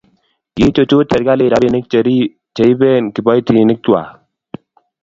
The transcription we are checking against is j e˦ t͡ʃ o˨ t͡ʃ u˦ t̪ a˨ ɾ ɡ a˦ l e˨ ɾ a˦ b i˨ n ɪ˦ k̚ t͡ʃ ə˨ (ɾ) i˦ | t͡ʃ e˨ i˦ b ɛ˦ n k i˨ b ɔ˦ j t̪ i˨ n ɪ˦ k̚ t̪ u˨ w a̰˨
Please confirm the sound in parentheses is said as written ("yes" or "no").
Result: yes